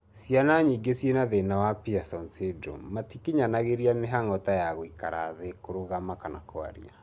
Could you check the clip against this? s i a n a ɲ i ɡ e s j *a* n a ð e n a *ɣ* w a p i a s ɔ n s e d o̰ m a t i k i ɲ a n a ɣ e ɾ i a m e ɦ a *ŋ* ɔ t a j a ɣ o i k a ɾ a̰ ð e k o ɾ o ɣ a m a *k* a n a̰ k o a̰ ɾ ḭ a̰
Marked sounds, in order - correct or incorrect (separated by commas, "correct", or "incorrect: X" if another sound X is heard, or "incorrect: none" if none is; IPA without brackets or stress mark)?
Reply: incorrect: e, incorrect: none, correct, correct